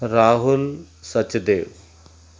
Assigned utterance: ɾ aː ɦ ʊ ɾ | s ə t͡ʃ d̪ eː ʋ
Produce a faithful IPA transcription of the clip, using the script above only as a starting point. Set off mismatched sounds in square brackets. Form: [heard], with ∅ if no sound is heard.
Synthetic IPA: ɾ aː ɦ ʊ [l] | s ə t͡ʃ d̪ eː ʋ

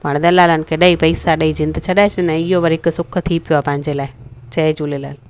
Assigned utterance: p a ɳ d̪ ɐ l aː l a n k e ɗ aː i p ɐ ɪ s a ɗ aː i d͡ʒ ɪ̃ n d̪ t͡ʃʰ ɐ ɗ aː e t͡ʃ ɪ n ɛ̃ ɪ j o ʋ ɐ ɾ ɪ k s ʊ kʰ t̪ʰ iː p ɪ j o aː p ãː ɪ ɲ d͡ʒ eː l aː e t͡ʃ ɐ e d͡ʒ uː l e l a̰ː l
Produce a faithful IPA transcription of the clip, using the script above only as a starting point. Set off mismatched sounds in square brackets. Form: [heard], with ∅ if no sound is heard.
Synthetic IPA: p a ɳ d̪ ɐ l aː l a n k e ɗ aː i p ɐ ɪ s a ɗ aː i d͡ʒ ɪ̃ n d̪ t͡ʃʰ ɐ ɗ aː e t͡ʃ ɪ n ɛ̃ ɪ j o ʋ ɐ ɾ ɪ k s ʊ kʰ t̪ʰ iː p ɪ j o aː p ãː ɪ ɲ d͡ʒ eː l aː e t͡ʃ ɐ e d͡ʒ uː l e l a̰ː l

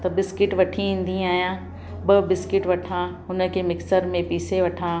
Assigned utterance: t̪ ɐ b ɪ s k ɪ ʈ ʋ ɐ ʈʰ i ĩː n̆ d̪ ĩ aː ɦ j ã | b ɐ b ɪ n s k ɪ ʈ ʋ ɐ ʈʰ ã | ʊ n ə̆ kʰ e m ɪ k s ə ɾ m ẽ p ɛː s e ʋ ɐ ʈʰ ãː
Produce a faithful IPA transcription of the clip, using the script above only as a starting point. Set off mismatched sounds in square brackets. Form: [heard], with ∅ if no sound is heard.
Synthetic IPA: t̪ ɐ b ɪ s k ɪ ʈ ʋ ɐ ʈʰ i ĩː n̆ d̪ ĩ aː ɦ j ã | b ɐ b ɪ [∅] s k ɪ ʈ ʋ ɐ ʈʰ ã | ʊ n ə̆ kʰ e m ɪ k s ə ɾ m ẽ p [iː] s e ʋ ɐ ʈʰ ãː

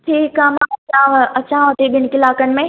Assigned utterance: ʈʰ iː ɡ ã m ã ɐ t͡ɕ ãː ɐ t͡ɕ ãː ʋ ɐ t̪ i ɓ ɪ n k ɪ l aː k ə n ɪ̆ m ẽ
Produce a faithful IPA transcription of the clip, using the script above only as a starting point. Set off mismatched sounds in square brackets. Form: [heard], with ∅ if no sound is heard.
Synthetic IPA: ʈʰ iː [k] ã m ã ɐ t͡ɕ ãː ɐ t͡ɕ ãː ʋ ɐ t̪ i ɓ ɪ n k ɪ l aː k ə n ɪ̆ m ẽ

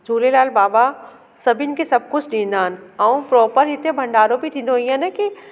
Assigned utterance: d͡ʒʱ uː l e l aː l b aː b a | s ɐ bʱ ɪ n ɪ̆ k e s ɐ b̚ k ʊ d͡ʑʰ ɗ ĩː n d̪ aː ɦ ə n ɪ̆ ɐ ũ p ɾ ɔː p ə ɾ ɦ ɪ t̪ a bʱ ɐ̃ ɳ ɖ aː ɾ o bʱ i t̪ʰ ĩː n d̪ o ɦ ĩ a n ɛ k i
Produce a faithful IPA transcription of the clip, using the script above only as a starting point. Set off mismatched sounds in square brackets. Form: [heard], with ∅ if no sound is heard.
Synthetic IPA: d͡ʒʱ uː l e l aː l b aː b a | s ɐ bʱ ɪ n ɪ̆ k e s ɐ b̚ k ʊ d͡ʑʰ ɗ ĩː n d̪ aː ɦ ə n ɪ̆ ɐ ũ p ɾ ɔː p ə ɾ ɦ ɪ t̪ [e] bʱ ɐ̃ ɳ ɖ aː ɾ o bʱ i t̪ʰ ĩː n d̪ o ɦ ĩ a n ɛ k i

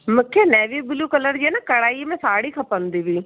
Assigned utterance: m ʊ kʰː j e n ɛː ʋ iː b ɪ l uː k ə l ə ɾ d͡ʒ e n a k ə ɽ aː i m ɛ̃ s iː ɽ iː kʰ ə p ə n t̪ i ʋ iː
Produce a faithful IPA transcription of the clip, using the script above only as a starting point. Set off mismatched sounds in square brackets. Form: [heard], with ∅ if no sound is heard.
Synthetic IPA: m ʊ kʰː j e n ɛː ʋ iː b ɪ l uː k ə l ə ɾ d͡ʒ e n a k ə ɽ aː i m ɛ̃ s [aː] ɽ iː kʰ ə p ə n [d̪] i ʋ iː

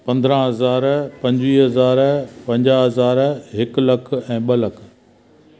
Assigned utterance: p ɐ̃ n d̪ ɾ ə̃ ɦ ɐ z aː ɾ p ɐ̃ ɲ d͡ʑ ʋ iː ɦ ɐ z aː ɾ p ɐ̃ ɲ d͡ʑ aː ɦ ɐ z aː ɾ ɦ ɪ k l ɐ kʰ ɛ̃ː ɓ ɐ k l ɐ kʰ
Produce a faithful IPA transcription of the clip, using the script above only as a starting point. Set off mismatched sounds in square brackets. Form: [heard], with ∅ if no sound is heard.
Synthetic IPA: p ɐ̃ n d̪ ɾ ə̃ ɦ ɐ z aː ɾ p ɐ̃ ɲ d͡ʑ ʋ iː ɦ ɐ z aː ɾ p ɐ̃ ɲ d͡ʑ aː ɦ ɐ z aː ɾ ɦ ɪ k l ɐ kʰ ɛ̃ː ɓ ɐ [∅] l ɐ kʰ

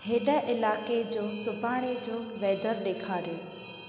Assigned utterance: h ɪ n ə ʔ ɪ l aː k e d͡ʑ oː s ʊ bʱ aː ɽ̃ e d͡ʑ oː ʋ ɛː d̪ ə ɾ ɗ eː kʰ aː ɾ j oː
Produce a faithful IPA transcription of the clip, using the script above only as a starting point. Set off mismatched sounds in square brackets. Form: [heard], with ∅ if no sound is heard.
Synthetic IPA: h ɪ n ə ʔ ɪ l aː k e d͡ʑ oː s ʊ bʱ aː ɽ̃ e d͡ʑ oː ʋ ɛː d̪ ə ɾ ɗ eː kʰ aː ɾ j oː

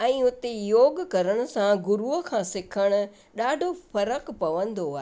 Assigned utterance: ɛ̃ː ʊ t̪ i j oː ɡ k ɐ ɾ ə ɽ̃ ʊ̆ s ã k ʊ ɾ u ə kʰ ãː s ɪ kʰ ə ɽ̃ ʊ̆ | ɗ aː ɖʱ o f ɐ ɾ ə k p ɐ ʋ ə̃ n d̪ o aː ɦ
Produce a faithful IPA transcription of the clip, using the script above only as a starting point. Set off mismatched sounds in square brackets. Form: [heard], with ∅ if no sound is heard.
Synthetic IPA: ɛ̃ː ʊ t̪ [e] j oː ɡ k ɐ ɾ ə ɽ̃ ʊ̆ s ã [ɡ] ʊ ɾ u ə kʰ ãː s ɪ kʰ ə ɽ̃ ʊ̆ | ɗ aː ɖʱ o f ɐ ɾ ə k p ɐ ʋ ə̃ n d̪ o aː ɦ

